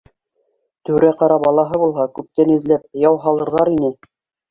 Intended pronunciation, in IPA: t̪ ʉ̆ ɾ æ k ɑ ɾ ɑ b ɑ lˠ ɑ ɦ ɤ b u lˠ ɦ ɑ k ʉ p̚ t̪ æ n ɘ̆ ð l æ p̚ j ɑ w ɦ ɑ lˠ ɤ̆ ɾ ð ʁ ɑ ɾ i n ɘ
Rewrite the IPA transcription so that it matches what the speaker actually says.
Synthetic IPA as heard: t̪ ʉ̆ ɾ æ q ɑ ɾ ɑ b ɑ lˠ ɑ ɦ ɤ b u lˠ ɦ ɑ k ʉ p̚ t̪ æ n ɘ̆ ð l æ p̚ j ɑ w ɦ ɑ lˠ ɤ̆ ɾ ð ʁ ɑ ɾ i n ɘ

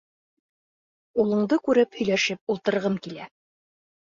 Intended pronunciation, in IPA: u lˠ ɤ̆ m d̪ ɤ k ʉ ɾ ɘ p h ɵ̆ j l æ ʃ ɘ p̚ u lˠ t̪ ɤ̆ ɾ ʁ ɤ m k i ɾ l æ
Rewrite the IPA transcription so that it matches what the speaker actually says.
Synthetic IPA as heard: u lˠ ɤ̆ ɴ d̪ ɤ k ʉ ɾ ɘ p h ɵ̆ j l æ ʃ ɘ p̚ u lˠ t̪ ɤ̆ ɾ ʁ ɤ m k i l æ

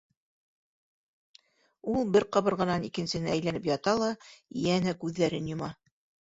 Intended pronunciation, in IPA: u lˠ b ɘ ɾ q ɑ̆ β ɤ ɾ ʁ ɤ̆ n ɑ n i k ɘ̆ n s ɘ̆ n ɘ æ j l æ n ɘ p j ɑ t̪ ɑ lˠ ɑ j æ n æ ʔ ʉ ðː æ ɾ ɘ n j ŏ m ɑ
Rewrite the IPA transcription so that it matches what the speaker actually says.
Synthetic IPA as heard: u lˠ b ɘ ɾ q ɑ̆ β ɤ ɾ ʁ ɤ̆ n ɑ n i k ɘ̆ n s ɘ̆ n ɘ æ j l æ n ɘ p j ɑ t̪ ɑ lˠ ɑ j æ n æ k ʉ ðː æ ɾ ɘ n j ŏ m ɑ

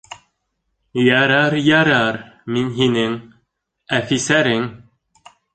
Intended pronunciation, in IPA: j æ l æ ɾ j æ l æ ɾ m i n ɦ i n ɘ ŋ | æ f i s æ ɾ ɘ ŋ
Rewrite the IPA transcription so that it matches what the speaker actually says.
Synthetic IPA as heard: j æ ɾ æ ɾ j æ ɾ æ ɾ m i n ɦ i n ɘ ŋ | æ f i s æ ɾ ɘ ŋ

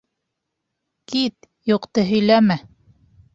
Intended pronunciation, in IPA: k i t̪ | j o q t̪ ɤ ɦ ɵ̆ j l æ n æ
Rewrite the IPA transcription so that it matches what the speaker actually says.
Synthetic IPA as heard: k i t̪ | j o q t̪ ɤ ɦ ɵ̆ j l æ m æ

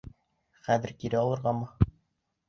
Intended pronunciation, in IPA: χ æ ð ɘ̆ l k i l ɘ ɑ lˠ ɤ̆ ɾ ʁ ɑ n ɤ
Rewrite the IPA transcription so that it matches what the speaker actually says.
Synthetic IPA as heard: χ æ ð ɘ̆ ɾ k i ɾ ɘ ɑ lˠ ɤ̆ ɾ ʁ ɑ m ɤ

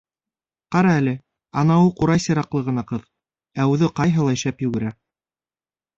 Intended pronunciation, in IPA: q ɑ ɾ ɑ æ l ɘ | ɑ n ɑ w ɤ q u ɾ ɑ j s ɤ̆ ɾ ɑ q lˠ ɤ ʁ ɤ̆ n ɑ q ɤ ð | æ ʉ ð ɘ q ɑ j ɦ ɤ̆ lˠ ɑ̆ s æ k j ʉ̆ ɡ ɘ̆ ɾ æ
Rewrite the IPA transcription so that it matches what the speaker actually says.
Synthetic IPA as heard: q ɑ ɾ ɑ æ l ɘ | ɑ n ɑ w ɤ q u ɾ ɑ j s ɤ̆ ɾ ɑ q lˠ ɤ ʁ ɤ̆ n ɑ q ɤ ð | æ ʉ ð ɘ q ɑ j ɦ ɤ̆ lˠ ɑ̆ ʃ æ p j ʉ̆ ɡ ɘ̆ ɾ æ

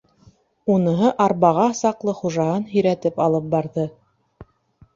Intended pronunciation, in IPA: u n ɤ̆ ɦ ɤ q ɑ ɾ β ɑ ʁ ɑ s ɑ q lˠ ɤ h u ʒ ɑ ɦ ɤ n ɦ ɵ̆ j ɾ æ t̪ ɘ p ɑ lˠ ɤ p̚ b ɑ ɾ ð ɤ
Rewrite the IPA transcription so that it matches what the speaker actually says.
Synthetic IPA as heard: u n ɤ̆ ɦ ɤ ʔ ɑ ɾ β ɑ ʁ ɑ s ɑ q lˠ ɤ χ u ʒ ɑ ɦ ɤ n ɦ ɵ̆ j ɾ æ t̪ ɘ p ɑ lˠ ɤ p̚ b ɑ ɾ ð ɤ

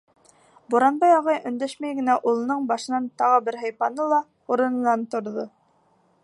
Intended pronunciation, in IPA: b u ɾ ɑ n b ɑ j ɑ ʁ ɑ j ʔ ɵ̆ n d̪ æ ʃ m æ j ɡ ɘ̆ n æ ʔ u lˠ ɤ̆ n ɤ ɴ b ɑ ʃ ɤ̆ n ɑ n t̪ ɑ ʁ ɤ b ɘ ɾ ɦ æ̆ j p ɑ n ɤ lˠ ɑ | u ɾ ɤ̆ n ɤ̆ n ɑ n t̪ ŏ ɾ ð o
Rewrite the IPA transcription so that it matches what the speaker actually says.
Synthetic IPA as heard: b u ɾ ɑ n b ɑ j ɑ ʁ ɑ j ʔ ɵ̆ n d̪ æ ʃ m æ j ɡ ɘ̆ n æ ʔ u lˠ ɤ̆ n ɤ ɴ b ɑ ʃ ɤ̆ n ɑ n t̪ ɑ ʁ ɤ b ɘ ɾ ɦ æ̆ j p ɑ n ɤ lˠ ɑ | u ɾ ɤ̆ n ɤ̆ n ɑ n t̪ ŏ ɾ ð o

